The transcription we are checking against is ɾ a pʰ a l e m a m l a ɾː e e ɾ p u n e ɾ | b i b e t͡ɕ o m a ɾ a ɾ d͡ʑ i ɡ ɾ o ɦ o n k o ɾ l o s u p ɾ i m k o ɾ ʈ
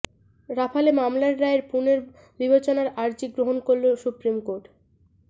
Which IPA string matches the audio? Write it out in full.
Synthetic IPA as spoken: ɾ a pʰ a l e m a m l a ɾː a e ɾ p u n e ɾ | b i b e t͡ɕ o n a ɾ a ɾ d͡ʑ i ɡ ɾ o ɦ o n k o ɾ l o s u p ɾ i m k o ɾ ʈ